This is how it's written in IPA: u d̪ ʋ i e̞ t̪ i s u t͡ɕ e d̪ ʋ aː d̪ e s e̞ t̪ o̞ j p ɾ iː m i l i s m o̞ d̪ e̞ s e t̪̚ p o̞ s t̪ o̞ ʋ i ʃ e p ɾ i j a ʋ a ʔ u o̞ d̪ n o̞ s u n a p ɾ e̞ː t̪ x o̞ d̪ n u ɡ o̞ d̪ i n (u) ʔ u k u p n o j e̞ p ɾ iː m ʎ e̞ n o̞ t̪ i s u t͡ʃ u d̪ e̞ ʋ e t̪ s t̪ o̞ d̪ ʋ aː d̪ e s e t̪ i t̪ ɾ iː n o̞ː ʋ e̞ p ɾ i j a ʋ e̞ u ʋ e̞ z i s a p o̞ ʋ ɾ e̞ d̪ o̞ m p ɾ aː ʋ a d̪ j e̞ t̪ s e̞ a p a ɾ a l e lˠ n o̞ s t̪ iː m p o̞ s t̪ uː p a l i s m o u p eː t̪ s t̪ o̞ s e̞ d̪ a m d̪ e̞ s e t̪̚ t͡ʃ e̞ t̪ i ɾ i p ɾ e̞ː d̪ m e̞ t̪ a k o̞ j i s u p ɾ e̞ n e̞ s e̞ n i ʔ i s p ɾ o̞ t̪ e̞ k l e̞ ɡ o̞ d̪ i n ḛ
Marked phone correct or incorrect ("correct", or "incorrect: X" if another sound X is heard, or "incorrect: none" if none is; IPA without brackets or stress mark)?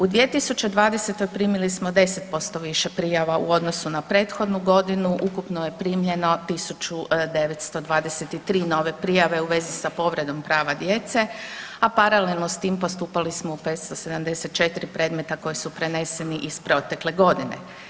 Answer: correct